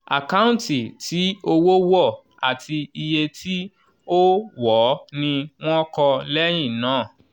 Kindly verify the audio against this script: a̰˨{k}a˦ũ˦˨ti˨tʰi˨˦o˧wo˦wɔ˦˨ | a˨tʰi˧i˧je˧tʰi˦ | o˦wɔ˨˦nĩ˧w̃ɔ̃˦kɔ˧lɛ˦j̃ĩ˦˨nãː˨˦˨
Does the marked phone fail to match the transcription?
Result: no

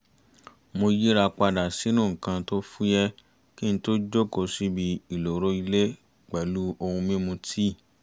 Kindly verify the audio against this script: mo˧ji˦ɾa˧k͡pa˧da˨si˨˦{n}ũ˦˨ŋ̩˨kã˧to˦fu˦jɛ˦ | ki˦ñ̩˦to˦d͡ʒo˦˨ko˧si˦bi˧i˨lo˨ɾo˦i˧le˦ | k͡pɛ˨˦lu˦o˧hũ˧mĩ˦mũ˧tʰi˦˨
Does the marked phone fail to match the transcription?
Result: no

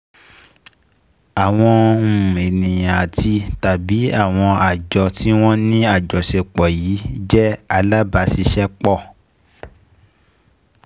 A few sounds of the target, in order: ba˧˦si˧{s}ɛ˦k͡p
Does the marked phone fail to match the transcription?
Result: yes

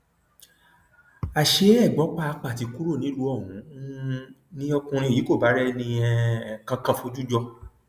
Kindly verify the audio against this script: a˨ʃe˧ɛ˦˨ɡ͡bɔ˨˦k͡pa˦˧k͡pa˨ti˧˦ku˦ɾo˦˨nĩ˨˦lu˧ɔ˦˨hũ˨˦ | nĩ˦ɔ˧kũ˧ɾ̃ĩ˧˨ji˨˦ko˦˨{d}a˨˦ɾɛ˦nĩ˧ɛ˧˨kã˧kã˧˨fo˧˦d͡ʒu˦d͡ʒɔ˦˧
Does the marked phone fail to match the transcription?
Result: yes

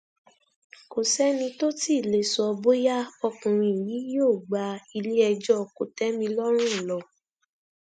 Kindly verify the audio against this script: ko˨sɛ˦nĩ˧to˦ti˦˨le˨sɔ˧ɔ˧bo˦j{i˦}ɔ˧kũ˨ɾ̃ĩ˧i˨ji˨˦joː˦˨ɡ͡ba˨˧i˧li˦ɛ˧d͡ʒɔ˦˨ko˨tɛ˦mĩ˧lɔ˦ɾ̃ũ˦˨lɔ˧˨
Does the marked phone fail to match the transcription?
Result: yes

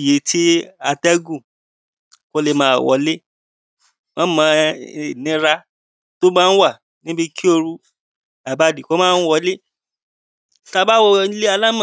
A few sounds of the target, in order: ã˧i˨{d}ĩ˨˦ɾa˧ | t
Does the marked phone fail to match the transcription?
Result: yes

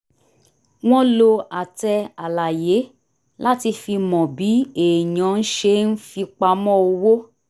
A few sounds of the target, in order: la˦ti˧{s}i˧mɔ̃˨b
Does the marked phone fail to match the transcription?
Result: yes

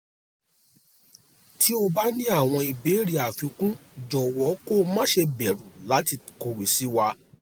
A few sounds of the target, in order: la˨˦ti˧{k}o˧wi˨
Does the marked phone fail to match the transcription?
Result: no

